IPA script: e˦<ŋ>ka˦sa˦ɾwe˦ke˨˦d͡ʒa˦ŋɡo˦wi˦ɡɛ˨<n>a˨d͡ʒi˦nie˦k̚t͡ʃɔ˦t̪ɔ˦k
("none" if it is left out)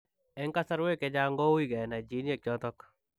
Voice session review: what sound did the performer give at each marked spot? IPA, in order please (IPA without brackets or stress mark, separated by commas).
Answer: ŋ, n